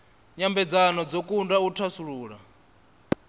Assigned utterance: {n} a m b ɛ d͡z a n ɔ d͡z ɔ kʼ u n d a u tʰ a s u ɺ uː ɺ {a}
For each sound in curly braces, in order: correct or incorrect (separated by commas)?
incorrect, correct